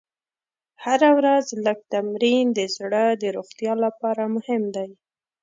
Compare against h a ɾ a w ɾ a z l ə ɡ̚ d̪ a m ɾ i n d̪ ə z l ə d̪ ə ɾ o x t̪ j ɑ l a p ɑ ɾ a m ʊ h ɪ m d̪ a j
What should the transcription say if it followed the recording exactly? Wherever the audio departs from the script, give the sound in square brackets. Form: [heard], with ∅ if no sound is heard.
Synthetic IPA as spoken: h a ɾ a w ɾ a z l ə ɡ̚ [t̪] a m ɾ i n d̪ ə z [ɽ] ə d̪ ə ɾ o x t̪ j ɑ l a p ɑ ɾ a m ʊ h ɪ m d̪ a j